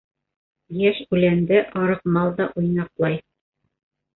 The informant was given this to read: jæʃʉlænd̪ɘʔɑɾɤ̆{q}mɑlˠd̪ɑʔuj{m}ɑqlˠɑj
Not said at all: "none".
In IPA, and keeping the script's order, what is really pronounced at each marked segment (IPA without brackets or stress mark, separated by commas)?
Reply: q, n